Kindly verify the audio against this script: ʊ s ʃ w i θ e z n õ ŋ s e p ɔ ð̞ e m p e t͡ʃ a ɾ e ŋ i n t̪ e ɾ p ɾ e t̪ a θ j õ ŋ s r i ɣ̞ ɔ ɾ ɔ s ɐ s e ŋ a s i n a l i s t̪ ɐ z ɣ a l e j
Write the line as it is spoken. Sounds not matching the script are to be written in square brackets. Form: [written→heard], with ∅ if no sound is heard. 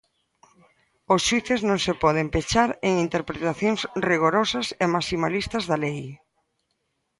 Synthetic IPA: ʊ s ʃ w i θ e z n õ ŋ s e p ɔ ð̞ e m p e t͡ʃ a ɾ e ŋ i n t̪ e ɾ p ɾ e t̪ a θ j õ ŋ s r i ɣ̞ [ɔ→o] ɾ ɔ s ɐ s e [ŋ→m] a s i [n→m] a l i s t̪ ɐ z [ɣ→ð] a l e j